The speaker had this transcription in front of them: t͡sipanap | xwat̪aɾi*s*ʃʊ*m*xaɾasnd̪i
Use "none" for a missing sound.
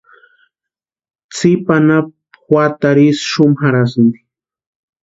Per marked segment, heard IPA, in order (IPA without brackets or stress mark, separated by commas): s, m